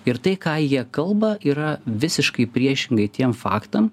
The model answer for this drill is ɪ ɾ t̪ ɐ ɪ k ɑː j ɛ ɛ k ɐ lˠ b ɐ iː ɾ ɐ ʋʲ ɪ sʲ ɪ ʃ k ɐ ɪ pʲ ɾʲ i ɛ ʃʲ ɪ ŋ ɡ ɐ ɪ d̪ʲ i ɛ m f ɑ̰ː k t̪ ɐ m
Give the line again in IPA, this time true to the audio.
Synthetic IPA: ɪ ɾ t̪ ɐ ɪ k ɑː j i ɛ k ɐ lˠ b ɐ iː ɾ ɐ ʋʲ ɪ sʲ ɪ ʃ k ɐ ɪ pʲ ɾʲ i ɛ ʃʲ ɪ ŋ ɡ ɐ ɪ t̪ʲ i ɛ m f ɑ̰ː k t̪ ɐ m